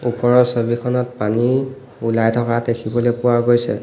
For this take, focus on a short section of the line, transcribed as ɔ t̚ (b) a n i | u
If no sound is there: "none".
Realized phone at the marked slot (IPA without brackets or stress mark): p